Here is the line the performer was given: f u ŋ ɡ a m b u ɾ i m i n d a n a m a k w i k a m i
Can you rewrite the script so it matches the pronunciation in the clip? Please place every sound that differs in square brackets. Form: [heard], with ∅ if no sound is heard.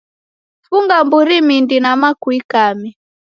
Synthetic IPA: f u ŋ ɡ a m b u ɾ i m i n d [i] n a m a k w i k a m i